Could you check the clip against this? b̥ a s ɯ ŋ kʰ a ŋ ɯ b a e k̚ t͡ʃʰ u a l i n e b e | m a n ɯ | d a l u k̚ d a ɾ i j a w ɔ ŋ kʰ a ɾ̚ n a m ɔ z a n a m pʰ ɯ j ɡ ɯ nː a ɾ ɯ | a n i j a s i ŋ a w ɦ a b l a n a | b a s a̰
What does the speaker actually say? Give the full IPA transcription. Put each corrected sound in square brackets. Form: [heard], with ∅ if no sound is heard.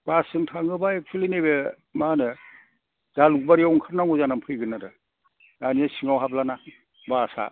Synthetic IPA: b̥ a s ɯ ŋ [tʰ] a ŋ ɯ b a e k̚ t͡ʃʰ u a l i n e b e | m a n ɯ | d a l u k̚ [b] a ɾ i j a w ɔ ŋ kʰ a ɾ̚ n a [ŋ] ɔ z a n a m pʰ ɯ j ɡ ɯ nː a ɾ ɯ | a n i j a s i ŋ a w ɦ a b l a n a | b a s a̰